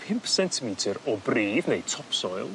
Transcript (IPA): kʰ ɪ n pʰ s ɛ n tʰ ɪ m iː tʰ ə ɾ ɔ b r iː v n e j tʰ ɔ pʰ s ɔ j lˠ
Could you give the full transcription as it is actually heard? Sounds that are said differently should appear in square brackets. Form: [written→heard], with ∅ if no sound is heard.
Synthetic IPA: [kʰ→pʰ] ɪ [n→m] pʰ s ɛ n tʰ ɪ m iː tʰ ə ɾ ɔ b r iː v n e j tʰ ɔ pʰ s ɔ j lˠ

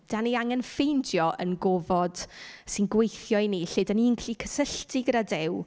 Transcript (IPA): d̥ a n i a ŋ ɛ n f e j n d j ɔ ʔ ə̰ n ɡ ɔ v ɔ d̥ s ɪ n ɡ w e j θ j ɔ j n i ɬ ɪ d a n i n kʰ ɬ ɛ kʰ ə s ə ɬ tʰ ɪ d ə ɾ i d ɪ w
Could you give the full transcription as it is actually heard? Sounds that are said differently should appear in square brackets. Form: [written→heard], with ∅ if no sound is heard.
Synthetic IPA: d̥ a n i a ŋ ɛ n f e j n d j ɔ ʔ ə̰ n ɡ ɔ v ɔ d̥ s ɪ n ɡ w e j θ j ɔ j n i ɬ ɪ d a n i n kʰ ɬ [ɛ→i] kʰ ə s ə ɬ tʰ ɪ [d→ɡ] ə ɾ [i→a] d ɪ w

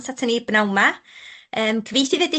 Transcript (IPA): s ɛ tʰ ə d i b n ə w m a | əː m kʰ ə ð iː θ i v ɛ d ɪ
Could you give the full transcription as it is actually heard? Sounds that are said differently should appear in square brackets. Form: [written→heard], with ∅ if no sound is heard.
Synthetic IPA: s [ɛ→a] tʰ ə [d→n] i b n [ə→a] w m a | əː m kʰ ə [ð→v] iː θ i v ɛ d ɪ

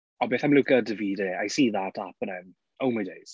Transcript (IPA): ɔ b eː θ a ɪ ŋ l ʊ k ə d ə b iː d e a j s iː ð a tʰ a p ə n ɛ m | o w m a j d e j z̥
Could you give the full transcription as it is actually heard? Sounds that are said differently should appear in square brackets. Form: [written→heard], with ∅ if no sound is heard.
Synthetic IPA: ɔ b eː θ a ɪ [ŋ→m] l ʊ k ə d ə [b→v] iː d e a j s iː ð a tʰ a p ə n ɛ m | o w m a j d e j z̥

